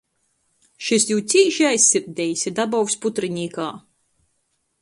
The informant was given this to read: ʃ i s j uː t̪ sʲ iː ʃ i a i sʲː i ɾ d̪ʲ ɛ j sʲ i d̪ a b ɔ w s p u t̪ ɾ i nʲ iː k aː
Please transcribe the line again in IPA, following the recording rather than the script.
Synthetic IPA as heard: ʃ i s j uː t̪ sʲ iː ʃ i a j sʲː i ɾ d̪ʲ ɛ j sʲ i d̪ a b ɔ w s p u t̪ ɾ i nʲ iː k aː